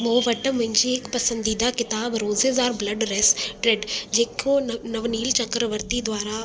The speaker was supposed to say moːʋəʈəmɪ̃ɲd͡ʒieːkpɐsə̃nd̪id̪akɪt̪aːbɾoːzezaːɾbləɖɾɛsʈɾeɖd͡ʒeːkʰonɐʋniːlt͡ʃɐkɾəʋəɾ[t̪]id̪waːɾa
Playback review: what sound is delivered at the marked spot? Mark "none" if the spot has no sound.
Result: t̪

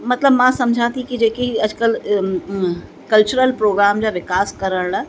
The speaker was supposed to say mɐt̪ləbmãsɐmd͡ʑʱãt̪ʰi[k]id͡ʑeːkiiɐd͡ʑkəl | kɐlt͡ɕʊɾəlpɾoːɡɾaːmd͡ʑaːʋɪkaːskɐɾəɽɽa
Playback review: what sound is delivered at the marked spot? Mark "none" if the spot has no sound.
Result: k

